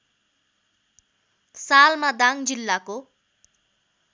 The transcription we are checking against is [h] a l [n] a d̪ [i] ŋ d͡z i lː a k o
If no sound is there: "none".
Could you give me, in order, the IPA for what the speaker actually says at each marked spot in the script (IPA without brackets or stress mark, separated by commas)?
s, m, a